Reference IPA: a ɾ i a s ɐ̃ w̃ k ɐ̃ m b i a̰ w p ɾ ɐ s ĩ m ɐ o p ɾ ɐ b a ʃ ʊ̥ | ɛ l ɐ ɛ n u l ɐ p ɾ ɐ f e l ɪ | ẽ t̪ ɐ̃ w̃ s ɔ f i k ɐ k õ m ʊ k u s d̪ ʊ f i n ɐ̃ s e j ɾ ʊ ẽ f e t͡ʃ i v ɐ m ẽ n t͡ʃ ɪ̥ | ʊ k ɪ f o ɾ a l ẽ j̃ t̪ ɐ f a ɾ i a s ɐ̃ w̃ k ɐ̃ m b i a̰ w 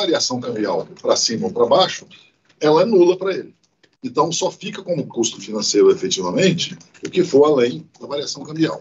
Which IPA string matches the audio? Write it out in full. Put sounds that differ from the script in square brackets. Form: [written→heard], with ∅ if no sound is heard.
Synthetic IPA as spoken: a ɾ i a s ɐ̃ w̃ k ɐ̃ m b i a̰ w p ɾ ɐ s ĩ m ɐ o p ɾ ɐ b a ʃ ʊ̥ | ɛ l ɐ ɛ n u l ɐ p ɾ ɐ [f→∅] e l ɪ | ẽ t̪ ɐ̃ w̃ s ɔ f i k ɐ k õ m ʊ k u s [d̪→t̪] ʊ f i n ɐ̃ s e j ɾ ʊ [ẽ→e] f e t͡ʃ i v ɐ m ẽ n t͡ʃ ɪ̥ | ʊ k ɪ f o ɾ a l ẽ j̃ [t̪→d̪] ɐ [f→v] a ɾ i a s ɐ̃ w̃ k ɐ̃ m b i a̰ w